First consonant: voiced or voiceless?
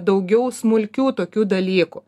voiced